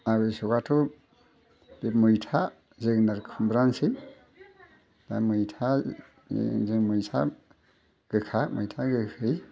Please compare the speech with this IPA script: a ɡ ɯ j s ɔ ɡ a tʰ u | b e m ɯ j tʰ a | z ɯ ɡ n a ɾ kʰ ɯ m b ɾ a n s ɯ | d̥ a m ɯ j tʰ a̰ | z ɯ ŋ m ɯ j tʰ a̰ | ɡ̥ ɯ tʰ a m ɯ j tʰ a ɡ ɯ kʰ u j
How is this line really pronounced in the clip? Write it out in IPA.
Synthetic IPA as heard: a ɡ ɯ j s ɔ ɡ a tʰ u | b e m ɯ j tʰ a | z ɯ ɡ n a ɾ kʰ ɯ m b ɾ a n s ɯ | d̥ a m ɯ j tʰ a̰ | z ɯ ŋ m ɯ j tʰ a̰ | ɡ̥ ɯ kʰ a m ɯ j tʰ a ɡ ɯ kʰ ɯ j